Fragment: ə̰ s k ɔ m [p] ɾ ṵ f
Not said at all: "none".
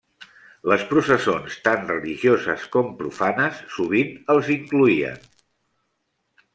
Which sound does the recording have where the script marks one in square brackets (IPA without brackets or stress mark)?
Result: p